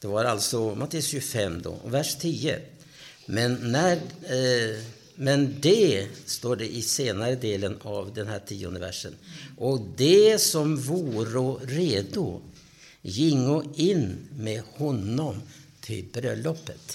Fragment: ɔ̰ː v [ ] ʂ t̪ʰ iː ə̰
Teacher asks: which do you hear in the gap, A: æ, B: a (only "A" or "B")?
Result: A